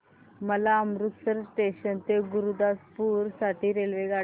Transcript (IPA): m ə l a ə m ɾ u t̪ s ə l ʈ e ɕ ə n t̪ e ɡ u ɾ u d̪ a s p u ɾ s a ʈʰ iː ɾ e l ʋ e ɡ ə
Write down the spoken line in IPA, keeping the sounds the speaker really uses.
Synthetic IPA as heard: m ə l a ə m ɾ u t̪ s ə ɾ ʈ e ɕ ə n t̪ e ɡ u ɾ u d̪ a s p u ɾ s a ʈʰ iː ɾ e l ʋ e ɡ a